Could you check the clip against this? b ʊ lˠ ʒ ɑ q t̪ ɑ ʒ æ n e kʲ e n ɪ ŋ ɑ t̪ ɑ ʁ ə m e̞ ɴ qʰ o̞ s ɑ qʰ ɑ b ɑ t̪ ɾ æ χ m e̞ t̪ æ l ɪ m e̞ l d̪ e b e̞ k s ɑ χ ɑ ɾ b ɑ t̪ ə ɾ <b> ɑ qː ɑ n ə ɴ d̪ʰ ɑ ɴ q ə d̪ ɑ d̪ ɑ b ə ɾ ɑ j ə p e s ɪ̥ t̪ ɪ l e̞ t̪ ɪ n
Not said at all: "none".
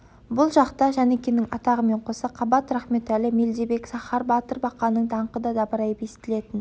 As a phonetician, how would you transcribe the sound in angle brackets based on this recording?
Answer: b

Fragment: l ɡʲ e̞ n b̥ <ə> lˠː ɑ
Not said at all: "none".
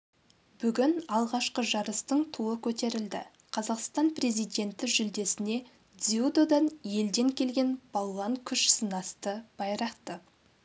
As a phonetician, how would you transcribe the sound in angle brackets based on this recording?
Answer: ɑ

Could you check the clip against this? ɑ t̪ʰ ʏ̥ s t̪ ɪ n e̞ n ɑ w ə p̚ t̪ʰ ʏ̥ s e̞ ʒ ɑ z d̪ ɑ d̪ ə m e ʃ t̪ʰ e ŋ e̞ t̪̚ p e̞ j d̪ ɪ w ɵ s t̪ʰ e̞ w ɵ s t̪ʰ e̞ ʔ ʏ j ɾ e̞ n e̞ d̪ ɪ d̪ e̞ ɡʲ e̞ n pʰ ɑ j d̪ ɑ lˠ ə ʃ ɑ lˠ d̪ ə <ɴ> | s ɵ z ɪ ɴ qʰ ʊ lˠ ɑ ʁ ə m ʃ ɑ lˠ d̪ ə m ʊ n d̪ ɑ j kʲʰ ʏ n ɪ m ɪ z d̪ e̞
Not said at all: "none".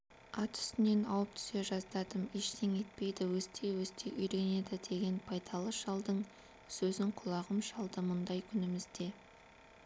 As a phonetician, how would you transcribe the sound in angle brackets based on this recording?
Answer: ɴ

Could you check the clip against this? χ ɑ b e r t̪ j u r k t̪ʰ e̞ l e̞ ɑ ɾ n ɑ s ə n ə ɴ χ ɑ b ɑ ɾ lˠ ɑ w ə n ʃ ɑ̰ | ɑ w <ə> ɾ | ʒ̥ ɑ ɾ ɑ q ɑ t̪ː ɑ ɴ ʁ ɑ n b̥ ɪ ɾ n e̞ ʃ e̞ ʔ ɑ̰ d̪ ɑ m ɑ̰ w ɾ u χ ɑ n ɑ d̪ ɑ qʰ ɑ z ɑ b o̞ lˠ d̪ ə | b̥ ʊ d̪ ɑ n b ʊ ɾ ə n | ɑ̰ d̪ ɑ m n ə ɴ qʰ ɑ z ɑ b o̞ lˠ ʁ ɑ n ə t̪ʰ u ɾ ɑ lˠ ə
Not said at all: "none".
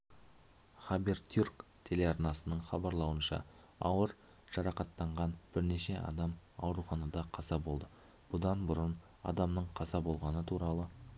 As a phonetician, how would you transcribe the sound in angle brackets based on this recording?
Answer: ə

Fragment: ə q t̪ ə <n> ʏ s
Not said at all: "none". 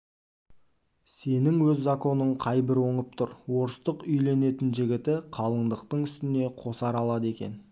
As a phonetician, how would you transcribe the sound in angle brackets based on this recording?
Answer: ɴ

